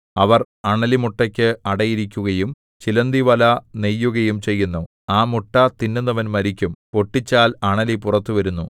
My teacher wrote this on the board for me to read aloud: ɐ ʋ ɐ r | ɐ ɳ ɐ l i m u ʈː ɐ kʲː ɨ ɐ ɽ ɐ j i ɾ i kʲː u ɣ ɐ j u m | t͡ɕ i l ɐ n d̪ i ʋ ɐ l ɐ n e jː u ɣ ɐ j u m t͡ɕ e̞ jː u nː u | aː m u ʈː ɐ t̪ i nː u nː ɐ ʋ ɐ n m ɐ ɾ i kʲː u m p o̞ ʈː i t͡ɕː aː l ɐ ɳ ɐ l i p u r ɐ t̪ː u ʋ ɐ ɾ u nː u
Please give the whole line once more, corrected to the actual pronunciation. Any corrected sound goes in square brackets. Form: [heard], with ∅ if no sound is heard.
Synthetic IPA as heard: ɐ ʋ ɐ r | ɐ ɳ ɐ l i m u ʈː ɐ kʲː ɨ ɐ ɽ ɐ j i ɾ i kʲː u ɣ ɐ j u m | t͡ɕ i l ɐ n d̪ i ʋ ɐ l ɐ n e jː u ɣ ɐ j u m t͡ɕ e̞ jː u nː u | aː m u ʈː ɐ t̪ i nː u nː ɐ ʋ ɐ n m ɐ ɾ i kʲː u m p o̞ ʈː i t͡ɕː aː l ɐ ɳ ɐ l i p u r ɐ t̪ː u ʋ ɐ ɾ u nː u

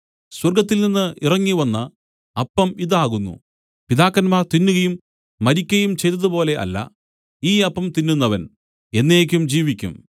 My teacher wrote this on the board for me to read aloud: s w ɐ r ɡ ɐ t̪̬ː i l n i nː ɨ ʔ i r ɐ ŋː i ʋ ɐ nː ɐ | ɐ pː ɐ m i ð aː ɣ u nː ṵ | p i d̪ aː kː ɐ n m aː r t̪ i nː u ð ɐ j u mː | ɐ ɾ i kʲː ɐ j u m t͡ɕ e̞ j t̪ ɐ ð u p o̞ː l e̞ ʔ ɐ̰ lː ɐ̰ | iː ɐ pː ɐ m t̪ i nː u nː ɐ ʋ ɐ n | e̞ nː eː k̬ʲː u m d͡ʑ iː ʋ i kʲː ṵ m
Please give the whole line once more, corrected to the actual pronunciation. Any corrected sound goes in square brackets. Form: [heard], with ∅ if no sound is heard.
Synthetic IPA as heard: s w ɐ r ɡ ɐ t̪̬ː i l n i nː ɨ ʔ i r ɐ ŋː i ʋ ɐ nː ɐ | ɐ pː ɐ m i ð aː ɣ u nː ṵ | p i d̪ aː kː ɐ n m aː r t̪ i nː u [ɣ] ɐ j u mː | ɐ ɾ i kʲː ɐ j u m t͡ɕ e̞ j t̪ ɐ ð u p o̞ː l e̞ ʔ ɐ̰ lː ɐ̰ | iː ɐ pː ɐ m t̪ i nː u nː ɐ ʋ ɐ n | e̞ nː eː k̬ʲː u m d͡ʑ iː ʋ i kʲː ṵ m

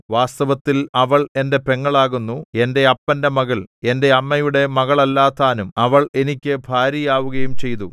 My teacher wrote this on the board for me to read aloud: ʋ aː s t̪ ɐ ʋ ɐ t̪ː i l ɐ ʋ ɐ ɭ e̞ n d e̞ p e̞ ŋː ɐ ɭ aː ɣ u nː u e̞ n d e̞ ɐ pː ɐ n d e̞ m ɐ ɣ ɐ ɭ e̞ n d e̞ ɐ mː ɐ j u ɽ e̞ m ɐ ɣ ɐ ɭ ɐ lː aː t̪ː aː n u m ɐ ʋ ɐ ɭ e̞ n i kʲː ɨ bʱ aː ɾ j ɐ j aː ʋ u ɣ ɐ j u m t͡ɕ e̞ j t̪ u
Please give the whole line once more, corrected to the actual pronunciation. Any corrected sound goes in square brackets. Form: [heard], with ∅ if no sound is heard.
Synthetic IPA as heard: ʋ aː s t̪ ɐ ʋ ɐ t̪ː i l ɐ ʋ ɐ ɭ e̞ n d e̞ p e̞ ŋː ɐ ɭ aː ɣ u nː u e̞ n d e̞ ɐ pː ɐ n d e̞ m ɐ ɣ ɐ ɭ e̞ n d e̞ ɐ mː ɐ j u ɽ e̞ m ɐ ɣ ɐ ɭ ɐ lː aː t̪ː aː n u m ɐ ʋ ɐ ɭ e̞ n i kʲː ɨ bʱ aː ɾ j ɐ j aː ʋ u ɣ ɐ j u m t͡ɕ e̞ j t̪ u

